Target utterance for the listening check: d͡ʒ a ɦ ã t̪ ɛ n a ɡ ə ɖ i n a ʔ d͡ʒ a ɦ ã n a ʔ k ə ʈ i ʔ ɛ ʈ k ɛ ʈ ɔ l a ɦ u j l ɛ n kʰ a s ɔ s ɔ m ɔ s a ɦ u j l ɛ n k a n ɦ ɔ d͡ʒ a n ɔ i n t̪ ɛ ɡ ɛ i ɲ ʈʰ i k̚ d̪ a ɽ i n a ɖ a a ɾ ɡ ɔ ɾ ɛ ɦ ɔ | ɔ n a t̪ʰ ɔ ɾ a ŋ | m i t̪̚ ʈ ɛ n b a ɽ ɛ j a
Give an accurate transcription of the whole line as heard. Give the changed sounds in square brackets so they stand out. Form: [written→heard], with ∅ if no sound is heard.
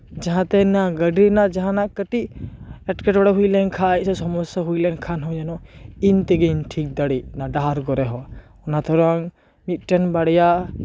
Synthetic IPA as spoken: d͡ʒ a ɦ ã t̪ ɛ n a ɡ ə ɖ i n a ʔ d͡ʒ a ɦ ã n a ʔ k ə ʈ i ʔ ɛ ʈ k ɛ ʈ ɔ [l→ɽ] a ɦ u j l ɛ n kʰ a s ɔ s ɔ m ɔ s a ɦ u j l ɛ n [k→kʰ] a n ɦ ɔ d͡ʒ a n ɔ i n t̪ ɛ ɡ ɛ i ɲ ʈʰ i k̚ d̪ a ɽ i n a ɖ a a ɾ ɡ ɔ ɾ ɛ ɦ ɔ | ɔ n a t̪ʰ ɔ ɾ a ŋ | m i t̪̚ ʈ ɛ n b a ɽ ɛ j a